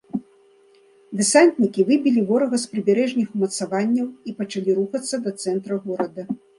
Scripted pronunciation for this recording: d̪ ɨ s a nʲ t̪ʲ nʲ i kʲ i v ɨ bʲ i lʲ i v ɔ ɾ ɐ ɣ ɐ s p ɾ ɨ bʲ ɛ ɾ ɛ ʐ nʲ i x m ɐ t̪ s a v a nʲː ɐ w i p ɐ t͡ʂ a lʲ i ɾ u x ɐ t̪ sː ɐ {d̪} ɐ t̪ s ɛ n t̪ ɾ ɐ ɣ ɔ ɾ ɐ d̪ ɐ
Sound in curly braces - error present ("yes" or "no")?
no